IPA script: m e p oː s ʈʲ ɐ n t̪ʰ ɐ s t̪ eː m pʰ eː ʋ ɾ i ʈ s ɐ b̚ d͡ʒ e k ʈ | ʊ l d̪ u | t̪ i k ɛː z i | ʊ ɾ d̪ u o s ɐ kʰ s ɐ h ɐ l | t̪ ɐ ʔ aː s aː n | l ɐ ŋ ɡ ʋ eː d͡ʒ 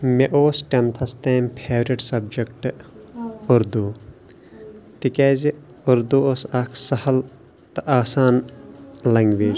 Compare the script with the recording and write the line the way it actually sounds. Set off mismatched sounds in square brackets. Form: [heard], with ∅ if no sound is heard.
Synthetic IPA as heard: m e [ʔ] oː s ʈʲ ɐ n t̪ʰ ɐ s t̪ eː m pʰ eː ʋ ɾ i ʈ s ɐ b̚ d͡ʒ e k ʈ | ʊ [ɾ] d̪ u | t̪ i k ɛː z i | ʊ ɾ d̪ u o s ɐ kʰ s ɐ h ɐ l | t̪ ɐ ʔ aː s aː n | l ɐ ŋ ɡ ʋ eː d͡ʒ